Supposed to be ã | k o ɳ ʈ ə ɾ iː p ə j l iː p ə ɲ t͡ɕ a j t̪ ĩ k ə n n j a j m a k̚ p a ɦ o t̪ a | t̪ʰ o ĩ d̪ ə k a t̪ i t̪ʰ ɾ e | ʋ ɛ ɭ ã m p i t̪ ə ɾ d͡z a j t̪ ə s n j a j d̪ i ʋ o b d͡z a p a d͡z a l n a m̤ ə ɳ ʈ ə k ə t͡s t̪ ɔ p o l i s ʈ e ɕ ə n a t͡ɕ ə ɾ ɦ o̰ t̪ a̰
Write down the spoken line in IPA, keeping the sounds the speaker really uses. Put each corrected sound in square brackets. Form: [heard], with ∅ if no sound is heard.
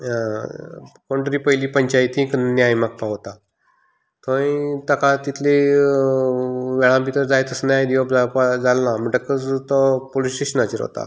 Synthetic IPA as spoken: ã | k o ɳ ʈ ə ɾ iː p ə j l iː p ə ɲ t͡ɕ a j t̪ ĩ k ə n n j a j m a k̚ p a ɦ o t̪ a | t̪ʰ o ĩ [t̪] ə k a t̪ i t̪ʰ [l] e | ʋ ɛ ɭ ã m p i t̪ ə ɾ d͡z a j t̪ ə s n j a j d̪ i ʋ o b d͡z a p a d͡z a l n a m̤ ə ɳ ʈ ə k ə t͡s t̪ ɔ p o l i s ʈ e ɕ ə n a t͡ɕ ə ɾ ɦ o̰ t̪ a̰

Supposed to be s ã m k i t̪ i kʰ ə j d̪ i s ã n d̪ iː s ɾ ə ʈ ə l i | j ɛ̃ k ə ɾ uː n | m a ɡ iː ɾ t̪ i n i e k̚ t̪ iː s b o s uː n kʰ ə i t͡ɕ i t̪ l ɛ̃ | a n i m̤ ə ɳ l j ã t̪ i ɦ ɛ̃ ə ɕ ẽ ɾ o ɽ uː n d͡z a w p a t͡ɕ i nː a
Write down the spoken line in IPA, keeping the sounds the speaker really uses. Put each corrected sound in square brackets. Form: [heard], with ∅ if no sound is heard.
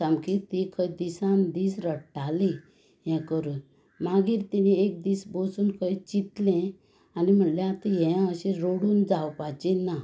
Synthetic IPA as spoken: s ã m k i t̪ i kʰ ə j d̪ i s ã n d̪ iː s ɾ ə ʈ [a] l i | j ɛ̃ k ə ɾ uː n | m a ɡ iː ɾ t̪ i n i e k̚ [d̪] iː s b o s uː n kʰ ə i t͡ɕ i t̪ l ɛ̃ | a n i m̤ ə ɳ l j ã t̪ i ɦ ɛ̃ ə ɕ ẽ ɾ o ɽ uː n d͡z a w p a t͡ɕ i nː a

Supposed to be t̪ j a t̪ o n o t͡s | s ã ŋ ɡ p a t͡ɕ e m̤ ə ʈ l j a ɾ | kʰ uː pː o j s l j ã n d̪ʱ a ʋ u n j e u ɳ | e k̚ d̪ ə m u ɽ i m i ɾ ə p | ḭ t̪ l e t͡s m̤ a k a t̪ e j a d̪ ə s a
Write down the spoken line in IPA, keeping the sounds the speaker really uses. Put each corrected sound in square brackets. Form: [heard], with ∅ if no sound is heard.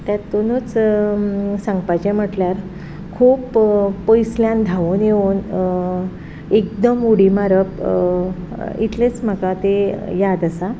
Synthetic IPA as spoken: t̪ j a t̪ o n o t͡s | s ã ŋ ɡ p a t͡ɕ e m̤ ə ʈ l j a ɾ | kʰ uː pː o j s l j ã n d̪ʱ a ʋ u n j e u [n] | e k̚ d̪ ə m u ɽ i m [a] ɾ ə p | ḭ t̪ l e t͡s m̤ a k a t̪ e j a d̪ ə s a

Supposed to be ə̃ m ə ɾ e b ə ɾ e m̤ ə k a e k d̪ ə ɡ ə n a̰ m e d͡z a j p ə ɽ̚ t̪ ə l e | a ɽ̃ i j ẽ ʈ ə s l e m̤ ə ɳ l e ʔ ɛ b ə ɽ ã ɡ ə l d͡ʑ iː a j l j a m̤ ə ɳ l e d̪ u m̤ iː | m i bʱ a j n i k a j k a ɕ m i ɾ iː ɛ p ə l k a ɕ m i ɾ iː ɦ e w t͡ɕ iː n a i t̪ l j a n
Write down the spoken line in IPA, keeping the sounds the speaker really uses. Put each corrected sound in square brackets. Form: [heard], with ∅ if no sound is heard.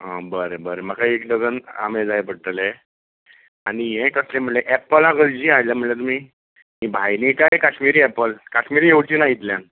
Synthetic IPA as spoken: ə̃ [b] ə ɾ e b ə ɾ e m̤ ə k a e k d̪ ə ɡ ə n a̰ m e d͡z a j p ə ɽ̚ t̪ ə l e | a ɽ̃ i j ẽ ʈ ə s l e m̤ ə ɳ l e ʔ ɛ [p] ə [l] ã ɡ ə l d͡ʑ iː a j l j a m̤ ə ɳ l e [t̪] u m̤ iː | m i bʱ a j n i k a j k a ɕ m i ɾ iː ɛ p ə l k a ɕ m i ɾ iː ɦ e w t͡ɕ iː n a i t̪ l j a n

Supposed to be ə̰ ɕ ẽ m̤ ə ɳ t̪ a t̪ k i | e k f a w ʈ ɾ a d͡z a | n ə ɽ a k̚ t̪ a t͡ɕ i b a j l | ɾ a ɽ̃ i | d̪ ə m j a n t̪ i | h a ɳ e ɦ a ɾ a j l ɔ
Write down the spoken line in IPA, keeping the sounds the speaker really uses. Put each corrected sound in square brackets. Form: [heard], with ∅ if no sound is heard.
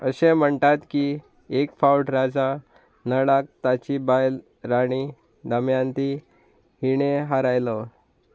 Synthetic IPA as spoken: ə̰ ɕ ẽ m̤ ə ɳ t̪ a t̪ k i | e k f a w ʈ ɾ a d͡z a | n ə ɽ a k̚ t̪ a t͡ɕ i b a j l | ɾ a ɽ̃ i | d̪ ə m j a n t̪ i | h [i] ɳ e ɦ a ɾ a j l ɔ

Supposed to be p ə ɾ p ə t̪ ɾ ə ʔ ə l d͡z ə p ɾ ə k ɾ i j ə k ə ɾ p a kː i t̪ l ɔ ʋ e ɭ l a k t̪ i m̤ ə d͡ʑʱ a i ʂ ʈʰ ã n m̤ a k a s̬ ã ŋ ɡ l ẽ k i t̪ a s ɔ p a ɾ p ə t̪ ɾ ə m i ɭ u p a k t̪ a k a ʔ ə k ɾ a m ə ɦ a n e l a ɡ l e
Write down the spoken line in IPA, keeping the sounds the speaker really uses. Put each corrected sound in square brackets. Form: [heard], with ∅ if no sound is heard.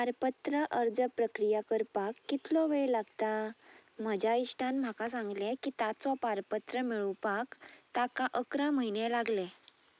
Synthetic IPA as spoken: p [a] ɾ p ə t̪ ɾ ə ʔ ə [ɾ] d͡z ə p ɾ ə k ɾ i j [a] k ə ɾ p a kː i t̪ l ɔ ʋ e ɭ l a [ɡ] t̪ [a] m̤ ə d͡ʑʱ a i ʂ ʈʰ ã n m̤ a k a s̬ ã ŋ ɡ l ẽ k i t̪ a [t͡s] ɔ p a ɾ p ə t̪ ɾ ə m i ɭ u p a k t̪ a k a ʔ ə k ɾ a m ə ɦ [i] n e l a ɡ l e

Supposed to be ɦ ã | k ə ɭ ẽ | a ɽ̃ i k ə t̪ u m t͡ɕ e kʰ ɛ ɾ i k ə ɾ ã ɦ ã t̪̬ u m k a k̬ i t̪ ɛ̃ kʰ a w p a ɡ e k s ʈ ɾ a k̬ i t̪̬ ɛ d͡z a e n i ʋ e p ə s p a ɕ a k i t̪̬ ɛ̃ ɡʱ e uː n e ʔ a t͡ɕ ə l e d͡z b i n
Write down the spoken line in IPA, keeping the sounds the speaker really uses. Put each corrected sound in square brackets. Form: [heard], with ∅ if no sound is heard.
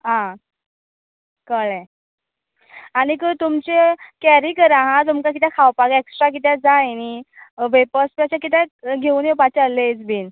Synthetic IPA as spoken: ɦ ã | k ə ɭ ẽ | a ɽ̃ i k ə t̪ u m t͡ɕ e [k] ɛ ɾ i k ə ɾ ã ɦ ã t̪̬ u m k a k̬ i t̪ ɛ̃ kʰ a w p a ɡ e k s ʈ ɾ a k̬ i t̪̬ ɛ d͡z a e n i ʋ e p ə s p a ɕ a k i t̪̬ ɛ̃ ɡʱ e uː n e [p] a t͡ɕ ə l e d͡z b i n

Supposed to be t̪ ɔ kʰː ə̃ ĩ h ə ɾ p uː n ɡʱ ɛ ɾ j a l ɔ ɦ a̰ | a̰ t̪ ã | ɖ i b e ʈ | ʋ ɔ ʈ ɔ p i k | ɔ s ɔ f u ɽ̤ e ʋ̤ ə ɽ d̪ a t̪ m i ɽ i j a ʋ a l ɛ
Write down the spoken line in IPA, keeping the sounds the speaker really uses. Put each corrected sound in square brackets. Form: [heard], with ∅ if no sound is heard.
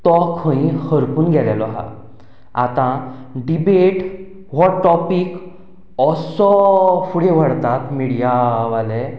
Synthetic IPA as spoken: t̪ ɔ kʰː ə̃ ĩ h ə ɾ p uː n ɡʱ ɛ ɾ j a l ɔ ɦ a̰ | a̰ t̪ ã | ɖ i b e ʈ | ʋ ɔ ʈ ɔ p i k | ɔ s ɔ f u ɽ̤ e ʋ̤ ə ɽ [t̪] a t̪ m i ɽ i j a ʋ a l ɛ

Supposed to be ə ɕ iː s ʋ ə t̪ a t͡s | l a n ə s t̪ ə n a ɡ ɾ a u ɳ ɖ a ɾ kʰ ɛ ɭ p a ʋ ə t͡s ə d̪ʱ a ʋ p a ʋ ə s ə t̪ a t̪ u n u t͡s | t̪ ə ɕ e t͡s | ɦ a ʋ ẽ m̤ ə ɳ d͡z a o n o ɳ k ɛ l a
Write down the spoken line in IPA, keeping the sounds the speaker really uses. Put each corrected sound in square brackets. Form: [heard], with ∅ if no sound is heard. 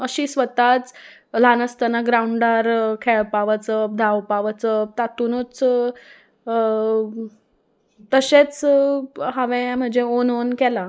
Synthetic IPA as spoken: ə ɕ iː s ʋ ə t̪ a t͡s | l a n ə s t̪ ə n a ɡ ɾ a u ɳ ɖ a ɾ kʰ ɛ ɭ p a ʋ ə t͡s ə d̪ʱ a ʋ p a ʋ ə [t͡s] ə t̪ a t̪ u n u t͡s | t̪ ə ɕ e t͡s | ɦ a ʋ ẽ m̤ ə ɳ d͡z [e] o n o [n] k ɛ l a

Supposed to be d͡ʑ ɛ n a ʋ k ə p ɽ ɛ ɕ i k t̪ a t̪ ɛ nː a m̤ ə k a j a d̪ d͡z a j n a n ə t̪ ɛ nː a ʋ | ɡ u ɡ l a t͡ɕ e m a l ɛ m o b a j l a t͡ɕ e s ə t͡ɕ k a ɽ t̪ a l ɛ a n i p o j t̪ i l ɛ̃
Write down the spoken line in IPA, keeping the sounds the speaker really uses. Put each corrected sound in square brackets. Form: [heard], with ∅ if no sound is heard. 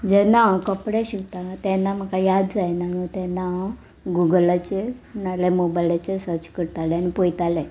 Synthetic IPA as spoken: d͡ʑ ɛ n a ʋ k ə p ɽ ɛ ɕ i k t̪ a t̪ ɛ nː a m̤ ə k a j a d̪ d͡z a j n a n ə t̪ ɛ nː a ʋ | ɡ u ɡ l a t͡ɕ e [n] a l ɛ m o b a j l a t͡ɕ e s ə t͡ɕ k [ə] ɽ t̪ a l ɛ a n i p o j t̪ [a] l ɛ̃

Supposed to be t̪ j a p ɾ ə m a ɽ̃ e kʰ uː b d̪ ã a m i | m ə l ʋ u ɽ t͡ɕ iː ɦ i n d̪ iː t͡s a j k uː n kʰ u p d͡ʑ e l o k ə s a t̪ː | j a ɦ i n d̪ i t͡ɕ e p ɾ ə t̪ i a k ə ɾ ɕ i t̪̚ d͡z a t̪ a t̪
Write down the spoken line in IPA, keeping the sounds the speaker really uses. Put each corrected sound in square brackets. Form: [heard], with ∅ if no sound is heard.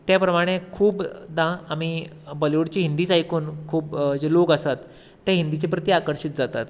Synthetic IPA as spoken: t̪ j a p ɾ ə m a ɽ̃ e kʰ uː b d̪ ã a m i | [b] ə l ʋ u ɽ t͡ɕ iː ɦ i n d̪ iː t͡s a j k uː n kʰ [uː] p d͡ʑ e l o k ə s a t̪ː | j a ɦ i n d̪ i t͡ɕ e p ɾ ə t̪ i a k ə ɾ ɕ i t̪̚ d͡z a t̪ a t̪

